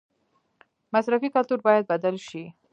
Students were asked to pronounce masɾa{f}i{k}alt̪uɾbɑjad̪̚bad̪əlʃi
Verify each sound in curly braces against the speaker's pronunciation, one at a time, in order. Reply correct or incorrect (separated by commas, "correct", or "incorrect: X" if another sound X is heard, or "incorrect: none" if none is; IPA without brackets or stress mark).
correct, correct